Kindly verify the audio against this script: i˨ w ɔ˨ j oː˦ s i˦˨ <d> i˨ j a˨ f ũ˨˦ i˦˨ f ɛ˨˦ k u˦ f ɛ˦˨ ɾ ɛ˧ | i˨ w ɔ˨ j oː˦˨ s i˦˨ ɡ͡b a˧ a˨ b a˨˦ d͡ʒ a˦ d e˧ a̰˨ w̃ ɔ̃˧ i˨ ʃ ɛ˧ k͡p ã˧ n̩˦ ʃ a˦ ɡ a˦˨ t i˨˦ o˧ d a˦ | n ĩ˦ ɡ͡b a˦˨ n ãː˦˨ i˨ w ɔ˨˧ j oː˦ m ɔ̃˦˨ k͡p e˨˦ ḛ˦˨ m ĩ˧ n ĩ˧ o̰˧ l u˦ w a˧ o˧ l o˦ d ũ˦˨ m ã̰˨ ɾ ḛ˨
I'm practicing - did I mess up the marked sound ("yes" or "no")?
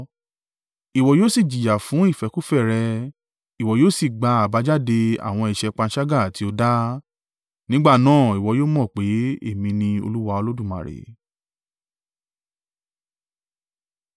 yes